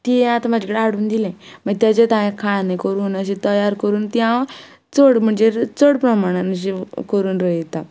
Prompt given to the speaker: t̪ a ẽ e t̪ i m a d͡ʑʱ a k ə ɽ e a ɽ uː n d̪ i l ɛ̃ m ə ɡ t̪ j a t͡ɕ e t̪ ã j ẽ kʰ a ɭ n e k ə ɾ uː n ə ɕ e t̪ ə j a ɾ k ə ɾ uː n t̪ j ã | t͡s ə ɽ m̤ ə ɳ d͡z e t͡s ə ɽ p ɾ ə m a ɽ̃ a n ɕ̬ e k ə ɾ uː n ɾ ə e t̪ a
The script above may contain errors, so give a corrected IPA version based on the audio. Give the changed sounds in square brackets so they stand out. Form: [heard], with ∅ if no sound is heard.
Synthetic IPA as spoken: t̪ [i] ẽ [a] t̪ [a] m a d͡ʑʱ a k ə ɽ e a ɽ uː n d̪ i l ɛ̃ m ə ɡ t̪ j a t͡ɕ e t̪ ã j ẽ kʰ a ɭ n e k ə ɾ uː n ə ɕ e t̪ ə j a ɾ k ə ɾ uː n t̪ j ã | t͡s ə ɽ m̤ ə ɳ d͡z e t͡s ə ɽ p ɾ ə m a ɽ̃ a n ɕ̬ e k ə ɾ uː n ɾ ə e t̪ a